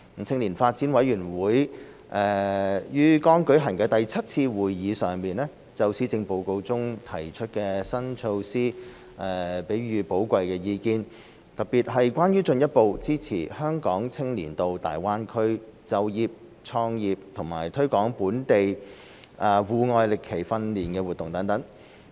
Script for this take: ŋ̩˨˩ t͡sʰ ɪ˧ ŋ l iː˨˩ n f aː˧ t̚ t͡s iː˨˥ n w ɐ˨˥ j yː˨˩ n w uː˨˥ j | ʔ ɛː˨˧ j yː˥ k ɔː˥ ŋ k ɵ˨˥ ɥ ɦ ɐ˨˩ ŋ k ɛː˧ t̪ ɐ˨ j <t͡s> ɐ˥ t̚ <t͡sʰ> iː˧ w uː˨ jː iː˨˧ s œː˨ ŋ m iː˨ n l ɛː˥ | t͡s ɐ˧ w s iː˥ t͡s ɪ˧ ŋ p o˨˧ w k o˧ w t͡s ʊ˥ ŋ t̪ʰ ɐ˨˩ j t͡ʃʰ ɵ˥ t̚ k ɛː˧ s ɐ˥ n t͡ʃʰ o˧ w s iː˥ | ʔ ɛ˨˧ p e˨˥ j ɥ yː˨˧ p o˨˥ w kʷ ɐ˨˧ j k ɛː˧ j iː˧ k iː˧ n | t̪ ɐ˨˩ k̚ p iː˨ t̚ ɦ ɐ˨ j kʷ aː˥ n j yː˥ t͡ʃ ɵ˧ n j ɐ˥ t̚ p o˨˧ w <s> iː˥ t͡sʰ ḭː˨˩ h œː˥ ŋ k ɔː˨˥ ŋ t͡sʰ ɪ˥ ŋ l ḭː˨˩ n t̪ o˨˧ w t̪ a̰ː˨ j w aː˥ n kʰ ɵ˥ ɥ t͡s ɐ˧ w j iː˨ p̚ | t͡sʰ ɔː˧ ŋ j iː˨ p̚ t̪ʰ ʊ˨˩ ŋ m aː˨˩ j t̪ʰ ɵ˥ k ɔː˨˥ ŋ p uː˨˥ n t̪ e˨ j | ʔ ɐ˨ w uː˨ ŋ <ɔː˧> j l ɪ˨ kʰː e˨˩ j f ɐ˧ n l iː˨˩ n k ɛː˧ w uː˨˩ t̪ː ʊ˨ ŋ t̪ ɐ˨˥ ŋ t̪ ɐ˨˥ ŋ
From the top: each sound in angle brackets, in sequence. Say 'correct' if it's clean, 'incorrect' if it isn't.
incorrect: t͡sʰ, correct, incorrect: t͡s, correct

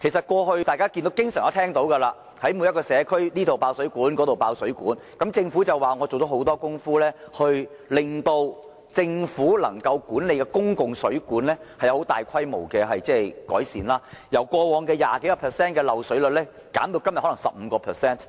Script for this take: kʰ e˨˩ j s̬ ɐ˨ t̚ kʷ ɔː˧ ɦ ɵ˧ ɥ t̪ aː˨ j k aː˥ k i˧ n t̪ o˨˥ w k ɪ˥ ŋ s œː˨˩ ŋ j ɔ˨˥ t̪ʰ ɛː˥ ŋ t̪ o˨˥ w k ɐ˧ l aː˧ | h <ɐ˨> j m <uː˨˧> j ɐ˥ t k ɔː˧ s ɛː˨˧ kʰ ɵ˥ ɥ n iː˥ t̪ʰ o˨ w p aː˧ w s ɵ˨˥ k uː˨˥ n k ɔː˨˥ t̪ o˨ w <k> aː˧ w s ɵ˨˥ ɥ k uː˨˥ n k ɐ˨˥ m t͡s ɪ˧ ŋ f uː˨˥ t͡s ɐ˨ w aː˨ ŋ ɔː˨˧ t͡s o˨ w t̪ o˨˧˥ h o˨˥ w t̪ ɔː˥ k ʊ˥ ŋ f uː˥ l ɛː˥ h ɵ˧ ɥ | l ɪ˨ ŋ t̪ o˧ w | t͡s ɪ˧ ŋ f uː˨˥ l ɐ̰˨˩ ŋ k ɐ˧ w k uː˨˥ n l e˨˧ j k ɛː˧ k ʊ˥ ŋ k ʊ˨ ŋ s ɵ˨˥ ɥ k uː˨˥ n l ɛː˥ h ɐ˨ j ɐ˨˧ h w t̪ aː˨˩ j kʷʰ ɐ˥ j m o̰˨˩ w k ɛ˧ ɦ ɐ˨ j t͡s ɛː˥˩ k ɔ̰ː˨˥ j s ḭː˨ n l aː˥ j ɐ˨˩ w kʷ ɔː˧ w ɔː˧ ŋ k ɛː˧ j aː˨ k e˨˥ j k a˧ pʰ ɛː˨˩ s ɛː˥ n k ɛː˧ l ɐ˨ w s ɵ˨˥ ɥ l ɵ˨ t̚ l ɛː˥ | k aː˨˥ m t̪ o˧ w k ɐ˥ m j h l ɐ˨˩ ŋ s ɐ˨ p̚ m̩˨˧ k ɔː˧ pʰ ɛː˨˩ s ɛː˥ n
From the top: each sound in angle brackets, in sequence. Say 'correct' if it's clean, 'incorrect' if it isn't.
incorrect: ɐ˨˥, incorrect: u˨˧, incorrect: p

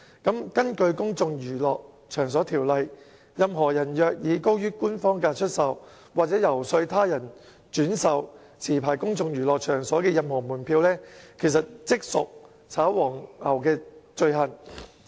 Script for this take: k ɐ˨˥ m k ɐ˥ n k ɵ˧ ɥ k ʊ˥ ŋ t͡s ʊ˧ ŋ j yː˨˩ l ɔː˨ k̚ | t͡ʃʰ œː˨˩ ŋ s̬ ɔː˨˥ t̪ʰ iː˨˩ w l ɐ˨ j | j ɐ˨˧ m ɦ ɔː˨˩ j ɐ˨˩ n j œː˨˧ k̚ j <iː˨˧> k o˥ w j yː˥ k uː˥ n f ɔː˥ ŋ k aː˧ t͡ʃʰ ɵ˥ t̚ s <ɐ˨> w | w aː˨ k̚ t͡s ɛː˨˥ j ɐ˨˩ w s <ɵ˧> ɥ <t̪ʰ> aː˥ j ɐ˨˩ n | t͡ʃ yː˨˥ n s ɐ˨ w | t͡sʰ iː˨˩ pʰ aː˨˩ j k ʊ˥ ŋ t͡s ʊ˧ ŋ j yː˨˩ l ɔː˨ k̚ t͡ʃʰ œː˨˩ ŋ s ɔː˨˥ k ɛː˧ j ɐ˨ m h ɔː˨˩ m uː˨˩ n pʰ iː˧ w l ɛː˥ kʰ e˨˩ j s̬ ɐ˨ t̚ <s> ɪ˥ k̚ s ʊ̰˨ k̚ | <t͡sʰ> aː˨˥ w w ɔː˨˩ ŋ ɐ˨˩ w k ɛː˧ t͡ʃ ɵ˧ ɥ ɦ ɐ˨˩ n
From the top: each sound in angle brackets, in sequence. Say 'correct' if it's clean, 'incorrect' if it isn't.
correct, correct, correct, correct, incorrect: t͡s, correct

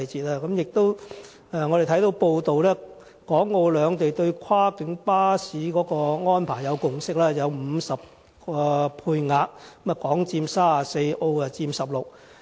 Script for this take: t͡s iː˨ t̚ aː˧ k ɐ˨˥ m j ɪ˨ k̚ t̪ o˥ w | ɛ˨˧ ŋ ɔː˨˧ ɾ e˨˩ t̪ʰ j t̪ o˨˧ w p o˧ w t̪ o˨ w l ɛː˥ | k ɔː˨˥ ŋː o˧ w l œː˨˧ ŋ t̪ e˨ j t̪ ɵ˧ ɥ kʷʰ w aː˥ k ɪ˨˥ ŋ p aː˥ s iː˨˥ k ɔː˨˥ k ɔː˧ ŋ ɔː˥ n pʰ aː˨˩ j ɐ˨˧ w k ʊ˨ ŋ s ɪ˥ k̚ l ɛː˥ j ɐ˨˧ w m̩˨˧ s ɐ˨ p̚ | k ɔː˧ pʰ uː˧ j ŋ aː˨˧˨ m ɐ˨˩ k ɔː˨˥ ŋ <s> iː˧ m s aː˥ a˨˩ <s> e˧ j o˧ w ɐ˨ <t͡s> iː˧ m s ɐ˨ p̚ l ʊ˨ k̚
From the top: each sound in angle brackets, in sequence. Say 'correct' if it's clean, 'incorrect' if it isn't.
incorrect: t͡s, correct, correct

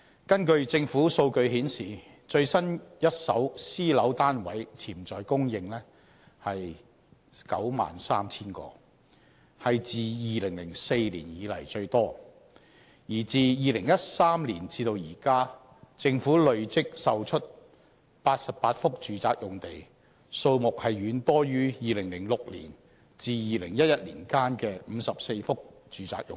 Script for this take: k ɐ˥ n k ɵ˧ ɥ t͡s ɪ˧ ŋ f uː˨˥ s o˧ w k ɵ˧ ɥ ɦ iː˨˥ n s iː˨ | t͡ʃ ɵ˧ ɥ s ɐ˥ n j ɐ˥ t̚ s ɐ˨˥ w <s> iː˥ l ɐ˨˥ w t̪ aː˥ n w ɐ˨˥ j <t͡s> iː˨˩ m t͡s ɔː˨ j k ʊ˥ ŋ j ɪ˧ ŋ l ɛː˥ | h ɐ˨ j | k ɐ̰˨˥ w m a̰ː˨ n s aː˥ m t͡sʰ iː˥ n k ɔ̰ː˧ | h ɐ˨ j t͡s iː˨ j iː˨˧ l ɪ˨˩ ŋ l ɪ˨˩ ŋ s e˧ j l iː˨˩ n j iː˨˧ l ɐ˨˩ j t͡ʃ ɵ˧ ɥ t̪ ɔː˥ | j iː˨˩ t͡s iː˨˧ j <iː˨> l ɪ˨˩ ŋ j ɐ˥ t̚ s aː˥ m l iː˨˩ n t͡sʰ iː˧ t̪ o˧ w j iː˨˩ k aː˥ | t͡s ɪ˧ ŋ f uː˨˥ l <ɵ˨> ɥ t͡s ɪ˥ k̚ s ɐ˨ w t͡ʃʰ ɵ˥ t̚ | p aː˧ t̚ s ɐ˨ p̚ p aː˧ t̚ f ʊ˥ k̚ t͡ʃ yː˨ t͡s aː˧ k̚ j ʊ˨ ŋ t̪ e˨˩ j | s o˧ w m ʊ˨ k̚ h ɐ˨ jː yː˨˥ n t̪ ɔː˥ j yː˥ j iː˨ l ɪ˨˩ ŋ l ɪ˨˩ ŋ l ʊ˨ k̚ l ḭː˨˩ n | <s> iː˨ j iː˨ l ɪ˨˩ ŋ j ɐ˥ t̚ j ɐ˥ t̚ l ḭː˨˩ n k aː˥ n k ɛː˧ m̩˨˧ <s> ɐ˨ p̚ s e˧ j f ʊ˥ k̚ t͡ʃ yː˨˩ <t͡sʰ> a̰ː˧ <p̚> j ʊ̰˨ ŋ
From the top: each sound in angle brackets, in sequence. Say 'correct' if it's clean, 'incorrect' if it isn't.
correct, incorrect: t͡sʰ, correct, correct, incorrect: t͡s, correct, incorrect: t͡s, incorrect: k̚

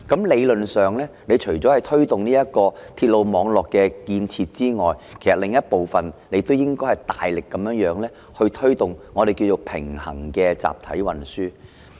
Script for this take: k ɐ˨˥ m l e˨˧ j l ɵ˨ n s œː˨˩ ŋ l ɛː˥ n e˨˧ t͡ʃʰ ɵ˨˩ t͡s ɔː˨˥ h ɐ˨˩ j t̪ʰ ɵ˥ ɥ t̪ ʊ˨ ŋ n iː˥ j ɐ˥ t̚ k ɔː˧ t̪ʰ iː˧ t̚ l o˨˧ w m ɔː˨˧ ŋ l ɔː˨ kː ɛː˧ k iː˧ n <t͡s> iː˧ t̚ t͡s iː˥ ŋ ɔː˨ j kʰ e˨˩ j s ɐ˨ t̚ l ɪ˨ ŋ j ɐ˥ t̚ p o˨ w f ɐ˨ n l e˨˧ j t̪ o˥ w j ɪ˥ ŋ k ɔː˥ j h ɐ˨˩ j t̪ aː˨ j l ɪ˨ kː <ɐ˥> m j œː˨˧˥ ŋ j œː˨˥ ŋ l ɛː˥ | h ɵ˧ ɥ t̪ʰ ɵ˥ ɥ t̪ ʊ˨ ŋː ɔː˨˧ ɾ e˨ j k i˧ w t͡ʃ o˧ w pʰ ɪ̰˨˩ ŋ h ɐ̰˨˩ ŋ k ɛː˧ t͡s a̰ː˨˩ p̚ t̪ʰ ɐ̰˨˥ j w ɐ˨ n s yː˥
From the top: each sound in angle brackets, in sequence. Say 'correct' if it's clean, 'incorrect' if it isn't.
incorrect: t͡sʰ, incorrect: ɐ˨˦

